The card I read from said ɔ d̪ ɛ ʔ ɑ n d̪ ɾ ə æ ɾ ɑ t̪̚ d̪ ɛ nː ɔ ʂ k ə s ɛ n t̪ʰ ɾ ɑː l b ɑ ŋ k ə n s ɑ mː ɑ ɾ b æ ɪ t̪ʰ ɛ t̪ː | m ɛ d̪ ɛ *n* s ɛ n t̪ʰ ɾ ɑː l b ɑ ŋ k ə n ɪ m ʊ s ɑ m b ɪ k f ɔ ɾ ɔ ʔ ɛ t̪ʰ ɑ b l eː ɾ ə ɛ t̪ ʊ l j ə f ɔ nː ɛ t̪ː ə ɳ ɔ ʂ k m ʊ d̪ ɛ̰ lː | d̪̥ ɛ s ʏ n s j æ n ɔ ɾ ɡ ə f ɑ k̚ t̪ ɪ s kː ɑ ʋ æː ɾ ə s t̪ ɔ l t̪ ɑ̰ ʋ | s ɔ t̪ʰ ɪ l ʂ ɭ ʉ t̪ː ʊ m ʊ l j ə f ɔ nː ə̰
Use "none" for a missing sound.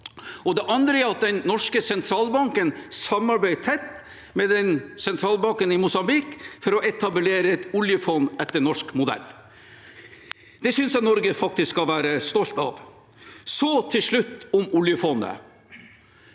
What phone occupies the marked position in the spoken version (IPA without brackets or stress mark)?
n